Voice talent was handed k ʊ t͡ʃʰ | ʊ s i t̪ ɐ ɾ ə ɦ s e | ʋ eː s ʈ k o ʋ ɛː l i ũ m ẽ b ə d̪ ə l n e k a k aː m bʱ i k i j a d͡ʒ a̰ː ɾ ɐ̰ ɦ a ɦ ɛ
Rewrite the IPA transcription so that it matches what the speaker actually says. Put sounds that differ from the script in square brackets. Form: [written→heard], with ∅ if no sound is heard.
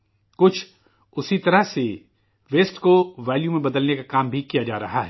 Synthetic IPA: k ʊ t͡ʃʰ | ʊ s i t̪ ɐ ɾ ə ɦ s e | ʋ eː s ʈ k o ʋ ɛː l [i→j] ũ m ẽ b [ə→ɐ] d̪ ə l n e k a k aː m bʱ i k i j a d͡ʒ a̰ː ɾ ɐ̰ ɦ a ɦ ɛ